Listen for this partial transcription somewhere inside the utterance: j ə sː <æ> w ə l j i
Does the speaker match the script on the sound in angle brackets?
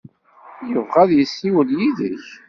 no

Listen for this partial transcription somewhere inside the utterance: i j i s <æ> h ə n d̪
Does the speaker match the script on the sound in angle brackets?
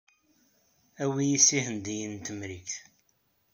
no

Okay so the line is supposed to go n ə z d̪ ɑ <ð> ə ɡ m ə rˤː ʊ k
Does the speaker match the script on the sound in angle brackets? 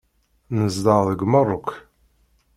yes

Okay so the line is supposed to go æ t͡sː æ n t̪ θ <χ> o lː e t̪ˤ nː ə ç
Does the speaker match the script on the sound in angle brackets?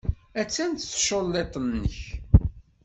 no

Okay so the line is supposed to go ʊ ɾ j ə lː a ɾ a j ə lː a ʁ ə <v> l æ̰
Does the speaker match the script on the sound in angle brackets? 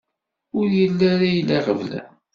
yes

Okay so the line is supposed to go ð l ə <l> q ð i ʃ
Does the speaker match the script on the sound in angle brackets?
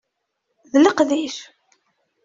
no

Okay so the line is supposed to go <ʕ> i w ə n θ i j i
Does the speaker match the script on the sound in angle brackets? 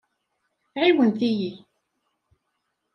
yes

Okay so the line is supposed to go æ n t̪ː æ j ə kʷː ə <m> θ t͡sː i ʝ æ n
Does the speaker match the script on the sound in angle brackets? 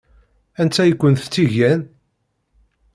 no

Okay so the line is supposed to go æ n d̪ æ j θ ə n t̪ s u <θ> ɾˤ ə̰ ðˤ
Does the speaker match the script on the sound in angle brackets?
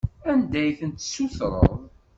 yes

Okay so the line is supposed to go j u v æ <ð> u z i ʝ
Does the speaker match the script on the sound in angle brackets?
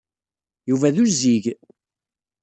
yes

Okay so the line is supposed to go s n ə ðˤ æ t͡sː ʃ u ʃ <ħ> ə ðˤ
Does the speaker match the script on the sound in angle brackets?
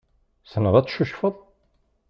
no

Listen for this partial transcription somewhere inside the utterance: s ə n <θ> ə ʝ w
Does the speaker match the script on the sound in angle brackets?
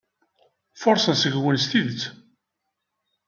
no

